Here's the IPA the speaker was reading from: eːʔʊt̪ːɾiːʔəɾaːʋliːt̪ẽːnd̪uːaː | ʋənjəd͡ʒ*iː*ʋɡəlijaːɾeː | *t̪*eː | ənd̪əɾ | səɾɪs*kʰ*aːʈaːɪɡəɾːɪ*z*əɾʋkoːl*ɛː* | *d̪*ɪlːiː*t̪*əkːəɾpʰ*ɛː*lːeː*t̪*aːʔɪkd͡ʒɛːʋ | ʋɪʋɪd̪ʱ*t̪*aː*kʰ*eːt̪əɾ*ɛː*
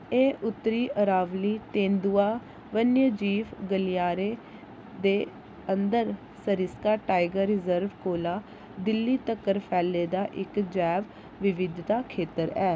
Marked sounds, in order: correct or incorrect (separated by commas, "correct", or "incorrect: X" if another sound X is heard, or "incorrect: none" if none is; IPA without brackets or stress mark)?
correct, incorrect: d̪, incorrect: k, correct, incorrect: aː, correct, correct, correct, incorrect: d̪, correct, correct, correct